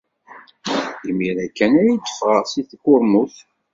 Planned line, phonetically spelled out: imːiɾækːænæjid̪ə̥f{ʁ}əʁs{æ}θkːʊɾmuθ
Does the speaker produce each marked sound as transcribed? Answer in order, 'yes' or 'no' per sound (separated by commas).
yes, no